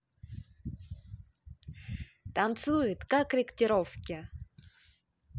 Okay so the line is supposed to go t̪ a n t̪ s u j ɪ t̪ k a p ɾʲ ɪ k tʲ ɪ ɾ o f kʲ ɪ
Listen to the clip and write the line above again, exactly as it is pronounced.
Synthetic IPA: t̪ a n t̪ s u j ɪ t̪ k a k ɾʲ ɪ k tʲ ɪ ɾ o f kʲ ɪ